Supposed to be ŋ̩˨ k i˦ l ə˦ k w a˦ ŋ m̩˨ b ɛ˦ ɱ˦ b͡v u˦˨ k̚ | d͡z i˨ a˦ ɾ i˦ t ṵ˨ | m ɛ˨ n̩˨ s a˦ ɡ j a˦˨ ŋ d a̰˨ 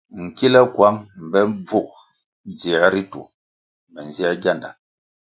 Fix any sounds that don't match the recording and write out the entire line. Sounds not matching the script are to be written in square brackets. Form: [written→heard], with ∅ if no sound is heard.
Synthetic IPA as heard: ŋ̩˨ k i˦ l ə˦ k w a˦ ŋ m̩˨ b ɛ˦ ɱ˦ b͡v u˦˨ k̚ | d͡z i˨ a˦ ɾ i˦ t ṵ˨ | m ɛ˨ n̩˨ [s→z] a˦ ɡ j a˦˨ [ŋ→n] d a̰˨